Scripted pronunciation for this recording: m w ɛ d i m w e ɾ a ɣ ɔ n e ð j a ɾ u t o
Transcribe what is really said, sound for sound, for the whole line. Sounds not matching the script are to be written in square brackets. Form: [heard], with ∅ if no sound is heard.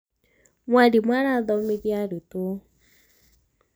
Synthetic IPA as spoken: m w [a] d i m w [a] ɾ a [ð] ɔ [m] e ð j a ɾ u t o